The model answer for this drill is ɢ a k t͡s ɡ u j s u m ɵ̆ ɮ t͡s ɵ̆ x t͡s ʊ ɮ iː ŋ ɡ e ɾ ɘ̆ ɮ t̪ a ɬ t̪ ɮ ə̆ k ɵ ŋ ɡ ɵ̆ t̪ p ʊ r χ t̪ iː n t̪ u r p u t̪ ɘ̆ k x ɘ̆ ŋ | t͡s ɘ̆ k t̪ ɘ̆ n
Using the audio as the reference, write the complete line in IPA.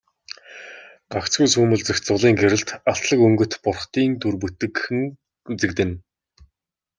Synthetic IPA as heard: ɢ a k t͡s ɡ u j s uː m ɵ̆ ɮ t͡s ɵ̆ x t͡s ʊ ɮ iː ŋ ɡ e ɾ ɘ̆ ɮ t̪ a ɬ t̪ ɮ ə̆ k ɵ ŋ ɡ ɵ̆ t̪ p ʊ r χ t̪ iː n t̪ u r p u t̪ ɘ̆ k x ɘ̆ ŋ | t͡s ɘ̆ k t̪ ɘ̆ n